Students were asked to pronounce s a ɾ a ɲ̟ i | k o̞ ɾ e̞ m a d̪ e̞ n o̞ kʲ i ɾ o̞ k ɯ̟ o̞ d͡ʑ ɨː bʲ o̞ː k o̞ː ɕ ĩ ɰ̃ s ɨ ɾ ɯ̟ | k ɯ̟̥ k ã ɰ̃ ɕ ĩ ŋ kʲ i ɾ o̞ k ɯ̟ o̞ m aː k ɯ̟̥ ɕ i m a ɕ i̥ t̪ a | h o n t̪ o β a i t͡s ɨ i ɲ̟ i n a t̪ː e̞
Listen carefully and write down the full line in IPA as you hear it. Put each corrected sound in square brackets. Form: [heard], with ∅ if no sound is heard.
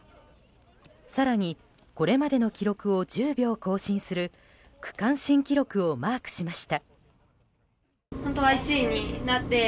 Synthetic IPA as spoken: s a ɾ a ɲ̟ i | k o̞ ɾ e̞ m a d̪ e̞ n o̞ kʲ i ɾ o̞ k ɯ̟ o̞ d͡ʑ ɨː bʲ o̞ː k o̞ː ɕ ĩ ɰ̃ s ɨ ɾ ɯ̟ | k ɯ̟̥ k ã ɰ̃ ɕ ĩ ŋ kʲ i ɾ o̞ k ɯ̟ o̞ m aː k ɯ̟̥ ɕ i m a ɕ i̥ t̪ a | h o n t̪ o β a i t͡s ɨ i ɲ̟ i n a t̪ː e̞